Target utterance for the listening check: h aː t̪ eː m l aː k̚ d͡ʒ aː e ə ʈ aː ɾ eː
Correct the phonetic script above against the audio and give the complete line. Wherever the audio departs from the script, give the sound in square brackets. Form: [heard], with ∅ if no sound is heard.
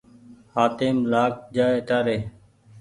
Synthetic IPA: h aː t̪ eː m l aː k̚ d͡ʒ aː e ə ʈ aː ɾ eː